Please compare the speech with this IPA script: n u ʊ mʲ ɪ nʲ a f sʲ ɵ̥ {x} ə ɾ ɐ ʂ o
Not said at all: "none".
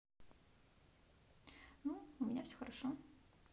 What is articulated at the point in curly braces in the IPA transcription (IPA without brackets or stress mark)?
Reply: x